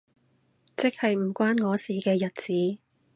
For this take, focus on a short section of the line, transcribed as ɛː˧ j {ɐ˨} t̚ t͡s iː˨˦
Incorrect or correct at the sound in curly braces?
correct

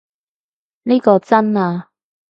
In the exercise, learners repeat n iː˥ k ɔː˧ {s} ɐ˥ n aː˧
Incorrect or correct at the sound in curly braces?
incorrect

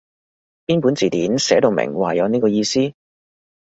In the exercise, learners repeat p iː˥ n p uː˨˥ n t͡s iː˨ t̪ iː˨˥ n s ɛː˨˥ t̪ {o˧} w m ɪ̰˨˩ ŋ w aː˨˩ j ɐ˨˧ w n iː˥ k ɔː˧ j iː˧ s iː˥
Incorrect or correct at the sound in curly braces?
correct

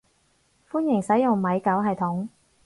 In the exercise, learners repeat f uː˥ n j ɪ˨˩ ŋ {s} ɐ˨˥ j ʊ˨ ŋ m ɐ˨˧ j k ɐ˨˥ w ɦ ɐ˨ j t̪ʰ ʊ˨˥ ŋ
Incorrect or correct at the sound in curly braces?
correct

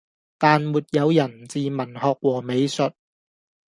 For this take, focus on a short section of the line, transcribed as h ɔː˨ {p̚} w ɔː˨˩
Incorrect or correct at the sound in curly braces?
incorrect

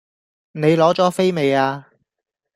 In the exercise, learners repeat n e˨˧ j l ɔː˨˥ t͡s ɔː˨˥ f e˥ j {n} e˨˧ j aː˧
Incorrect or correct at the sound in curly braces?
incorrect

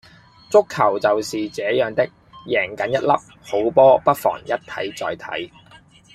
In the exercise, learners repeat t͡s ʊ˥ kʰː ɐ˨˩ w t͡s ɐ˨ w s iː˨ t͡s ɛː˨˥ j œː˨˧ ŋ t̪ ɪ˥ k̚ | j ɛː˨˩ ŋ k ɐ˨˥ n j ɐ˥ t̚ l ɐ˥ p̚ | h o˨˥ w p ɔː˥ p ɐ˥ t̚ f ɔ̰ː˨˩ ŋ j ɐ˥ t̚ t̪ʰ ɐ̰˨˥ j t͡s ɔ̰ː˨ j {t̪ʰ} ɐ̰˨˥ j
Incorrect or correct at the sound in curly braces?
correct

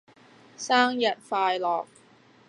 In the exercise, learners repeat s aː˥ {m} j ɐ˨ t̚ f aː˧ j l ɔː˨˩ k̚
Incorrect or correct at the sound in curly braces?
incorrect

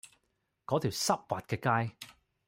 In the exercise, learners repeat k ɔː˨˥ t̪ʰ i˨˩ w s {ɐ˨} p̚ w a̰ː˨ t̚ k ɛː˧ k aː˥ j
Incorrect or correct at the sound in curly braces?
incorrect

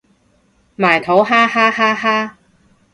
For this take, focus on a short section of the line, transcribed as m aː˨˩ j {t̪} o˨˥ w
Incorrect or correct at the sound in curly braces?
incorrect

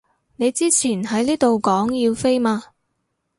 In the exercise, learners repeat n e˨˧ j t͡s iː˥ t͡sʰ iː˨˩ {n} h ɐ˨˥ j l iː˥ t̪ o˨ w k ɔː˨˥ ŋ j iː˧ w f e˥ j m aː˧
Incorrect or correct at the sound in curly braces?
correct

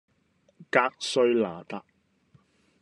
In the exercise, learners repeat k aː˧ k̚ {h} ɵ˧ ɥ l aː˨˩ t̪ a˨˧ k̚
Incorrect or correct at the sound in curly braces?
incorrect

